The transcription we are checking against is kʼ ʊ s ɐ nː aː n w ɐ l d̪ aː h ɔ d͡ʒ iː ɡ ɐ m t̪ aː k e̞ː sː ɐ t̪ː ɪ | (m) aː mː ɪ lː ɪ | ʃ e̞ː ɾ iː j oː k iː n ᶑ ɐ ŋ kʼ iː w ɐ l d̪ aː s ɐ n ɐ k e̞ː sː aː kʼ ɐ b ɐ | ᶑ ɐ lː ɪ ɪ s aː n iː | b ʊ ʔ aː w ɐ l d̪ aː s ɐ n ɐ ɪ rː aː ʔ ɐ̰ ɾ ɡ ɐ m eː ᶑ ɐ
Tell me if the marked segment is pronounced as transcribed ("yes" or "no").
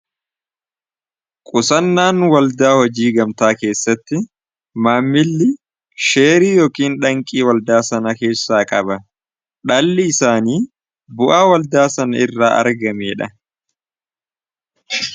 yes